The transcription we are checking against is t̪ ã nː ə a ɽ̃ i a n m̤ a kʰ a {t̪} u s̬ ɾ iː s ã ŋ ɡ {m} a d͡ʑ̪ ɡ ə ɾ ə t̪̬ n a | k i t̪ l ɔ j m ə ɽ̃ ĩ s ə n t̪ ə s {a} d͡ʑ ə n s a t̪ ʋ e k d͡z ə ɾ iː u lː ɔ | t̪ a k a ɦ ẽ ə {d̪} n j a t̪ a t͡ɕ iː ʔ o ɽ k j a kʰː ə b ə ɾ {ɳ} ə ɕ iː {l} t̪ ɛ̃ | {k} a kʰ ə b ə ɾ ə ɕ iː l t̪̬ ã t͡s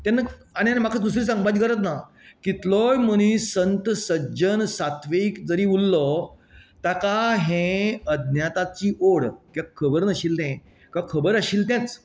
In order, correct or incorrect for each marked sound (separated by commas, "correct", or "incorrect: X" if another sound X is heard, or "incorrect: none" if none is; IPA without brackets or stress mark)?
incorrect: d̪, incorrect: b, incorrect: ə, correct, incorrect: n, correct, correct